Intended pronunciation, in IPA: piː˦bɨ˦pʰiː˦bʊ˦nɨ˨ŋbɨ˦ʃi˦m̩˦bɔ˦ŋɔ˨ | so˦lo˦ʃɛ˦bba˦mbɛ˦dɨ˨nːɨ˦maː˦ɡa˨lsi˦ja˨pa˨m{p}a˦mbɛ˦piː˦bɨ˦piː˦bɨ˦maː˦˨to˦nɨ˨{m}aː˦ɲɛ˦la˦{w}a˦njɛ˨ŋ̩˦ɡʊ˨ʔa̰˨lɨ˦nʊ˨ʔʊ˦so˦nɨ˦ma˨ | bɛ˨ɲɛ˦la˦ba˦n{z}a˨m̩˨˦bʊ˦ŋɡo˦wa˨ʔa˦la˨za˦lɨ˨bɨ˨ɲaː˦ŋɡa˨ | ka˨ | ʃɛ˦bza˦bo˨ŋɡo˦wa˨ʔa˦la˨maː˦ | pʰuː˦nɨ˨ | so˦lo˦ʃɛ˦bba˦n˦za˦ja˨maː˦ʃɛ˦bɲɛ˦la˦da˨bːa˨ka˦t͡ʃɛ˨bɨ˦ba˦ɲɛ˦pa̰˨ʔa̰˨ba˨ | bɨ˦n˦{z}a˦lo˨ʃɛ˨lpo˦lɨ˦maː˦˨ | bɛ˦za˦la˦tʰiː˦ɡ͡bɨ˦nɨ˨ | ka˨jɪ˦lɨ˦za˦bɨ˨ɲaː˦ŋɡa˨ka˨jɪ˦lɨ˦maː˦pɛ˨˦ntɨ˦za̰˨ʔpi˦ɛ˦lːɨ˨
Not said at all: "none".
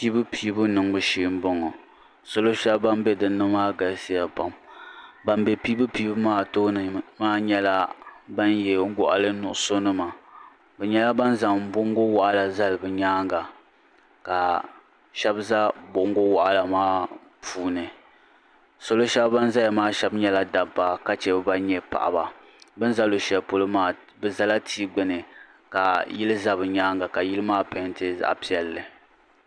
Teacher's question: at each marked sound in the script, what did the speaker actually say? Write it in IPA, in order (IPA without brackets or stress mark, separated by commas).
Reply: b, m, b, z, z